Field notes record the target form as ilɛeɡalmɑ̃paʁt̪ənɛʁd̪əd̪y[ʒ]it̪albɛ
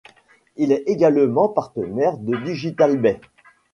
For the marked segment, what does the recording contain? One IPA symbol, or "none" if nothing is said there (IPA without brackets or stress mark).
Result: ʒ